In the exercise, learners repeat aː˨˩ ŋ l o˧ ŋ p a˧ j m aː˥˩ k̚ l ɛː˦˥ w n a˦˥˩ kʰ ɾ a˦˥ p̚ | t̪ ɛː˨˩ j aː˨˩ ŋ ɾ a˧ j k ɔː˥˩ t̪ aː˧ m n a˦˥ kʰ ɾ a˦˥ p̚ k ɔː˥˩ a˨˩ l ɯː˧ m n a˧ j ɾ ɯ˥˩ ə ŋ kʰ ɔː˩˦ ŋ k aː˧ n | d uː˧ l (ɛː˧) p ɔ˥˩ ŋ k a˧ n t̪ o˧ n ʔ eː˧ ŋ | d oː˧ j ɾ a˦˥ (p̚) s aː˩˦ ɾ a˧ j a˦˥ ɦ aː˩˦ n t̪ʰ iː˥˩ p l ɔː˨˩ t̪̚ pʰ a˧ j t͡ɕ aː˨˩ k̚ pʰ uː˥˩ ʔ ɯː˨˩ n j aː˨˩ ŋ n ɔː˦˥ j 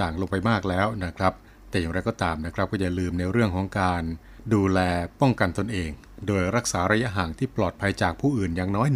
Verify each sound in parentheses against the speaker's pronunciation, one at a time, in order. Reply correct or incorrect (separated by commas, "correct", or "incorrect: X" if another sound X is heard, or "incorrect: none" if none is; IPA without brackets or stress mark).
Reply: correct, incorrect: k̚